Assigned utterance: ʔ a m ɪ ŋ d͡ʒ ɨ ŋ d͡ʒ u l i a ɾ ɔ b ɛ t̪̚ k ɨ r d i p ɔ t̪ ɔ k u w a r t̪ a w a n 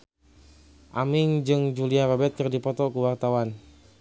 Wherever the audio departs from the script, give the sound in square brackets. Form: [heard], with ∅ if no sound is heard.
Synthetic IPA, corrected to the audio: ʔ a m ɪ ŋ d͡ʒ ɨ ŋ d͡ʒ u l i a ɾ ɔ b ɛ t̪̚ k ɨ r d i p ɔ t̪ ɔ k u w a r t̪ a w a n